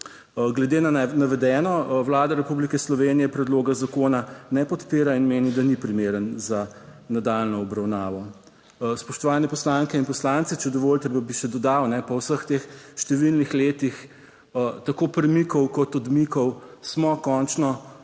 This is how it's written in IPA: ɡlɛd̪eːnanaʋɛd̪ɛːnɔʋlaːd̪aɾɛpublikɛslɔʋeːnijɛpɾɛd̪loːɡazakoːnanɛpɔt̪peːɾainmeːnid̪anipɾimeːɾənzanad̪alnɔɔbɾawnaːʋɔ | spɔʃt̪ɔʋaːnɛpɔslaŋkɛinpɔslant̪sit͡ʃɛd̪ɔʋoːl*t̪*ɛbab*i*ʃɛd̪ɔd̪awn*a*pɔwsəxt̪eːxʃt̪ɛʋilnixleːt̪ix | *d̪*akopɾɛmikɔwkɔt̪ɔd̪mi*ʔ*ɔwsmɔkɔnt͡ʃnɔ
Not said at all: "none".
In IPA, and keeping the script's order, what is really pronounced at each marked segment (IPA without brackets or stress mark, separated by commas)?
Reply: t̪, i, ɛ, t̪, k